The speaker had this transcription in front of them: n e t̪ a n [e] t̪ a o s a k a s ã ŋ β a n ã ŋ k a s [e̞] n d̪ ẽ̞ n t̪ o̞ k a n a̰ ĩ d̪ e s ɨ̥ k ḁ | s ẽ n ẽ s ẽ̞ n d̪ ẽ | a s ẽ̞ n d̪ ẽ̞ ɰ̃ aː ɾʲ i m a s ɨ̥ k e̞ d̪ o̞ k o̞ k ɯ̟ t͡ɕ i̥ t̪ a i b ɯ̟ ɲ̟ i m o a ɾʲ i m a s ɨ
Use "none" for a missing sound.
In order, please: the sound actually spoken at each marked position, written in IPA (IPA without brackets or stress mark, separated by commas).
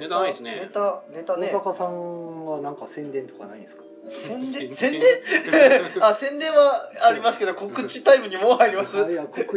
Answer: e, ẽ̞